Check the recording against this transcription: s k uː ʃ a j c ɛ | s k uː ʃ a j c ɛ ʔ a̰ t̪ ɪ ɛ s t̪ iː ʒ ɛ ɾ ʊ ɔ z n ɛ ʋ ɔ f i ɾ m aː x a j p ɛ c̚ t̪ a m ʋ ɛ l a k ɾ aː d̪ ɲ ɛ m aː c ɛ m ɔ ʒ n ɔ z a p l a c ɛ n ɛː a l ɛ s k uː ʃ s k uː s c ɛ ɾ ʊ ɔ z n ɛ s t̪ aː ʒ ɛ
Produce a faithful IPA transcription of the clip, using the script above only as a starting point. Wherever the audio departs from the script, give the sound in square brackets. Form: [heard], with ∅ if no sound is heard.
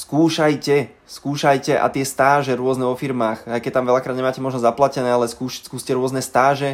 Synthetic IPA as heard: s k uː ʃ a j c ɛ | s k uː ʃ a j c ɛ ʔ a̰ t̪ ɪ ɛ s t̪ [aː] ʒ ɛ ɾ ʊ ɔ z n ɛ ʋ ɔ f i ɾ m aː x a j [k] ɛ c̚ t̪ a m ʋ ɛ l a k ɾ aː d̪ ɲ ɛ m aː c ɛ m ɔ ʒ n ɔ z a p l a c ɛ n ɛː a l ɛ s k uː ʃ s k uː s c ɛ ɾ ʊ ɔ z n ɛ s t̪ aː ʒ ɛ